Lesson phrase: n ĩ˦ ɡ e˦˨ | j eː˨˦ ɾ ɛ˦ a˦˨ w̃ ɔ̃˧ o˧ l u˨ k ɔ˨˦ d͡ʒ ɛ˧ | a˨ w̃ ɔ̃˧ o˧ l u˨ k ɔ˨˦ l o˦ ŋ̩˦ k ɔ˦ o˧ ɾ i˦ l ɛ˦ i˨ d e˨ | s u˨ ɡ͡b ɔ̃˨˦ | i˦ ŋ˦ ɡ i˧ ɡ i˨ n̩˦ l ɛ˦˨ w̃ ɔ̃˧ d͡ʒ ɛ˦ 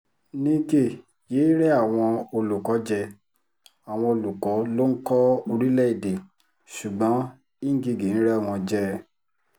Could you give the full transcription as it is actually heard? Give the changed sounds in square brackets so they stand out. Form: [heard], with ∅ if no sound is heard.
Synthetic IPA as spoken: n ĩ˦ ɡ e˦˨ | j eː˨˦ ɾ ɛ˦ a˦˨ w̃ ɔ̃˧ o˧ l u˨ k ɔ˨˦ d͡ʒ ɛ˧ | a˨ w̃ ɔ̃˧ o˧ l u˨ k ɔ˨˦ l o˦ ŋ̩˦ k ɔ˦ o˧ ɾ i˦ l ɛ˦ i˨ d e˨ | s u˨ ɡ͡b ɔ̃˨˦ | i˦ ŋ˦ ɡ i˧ ɡ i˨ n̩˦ [ɾ] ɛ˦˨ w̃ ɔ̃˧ d͡ʒ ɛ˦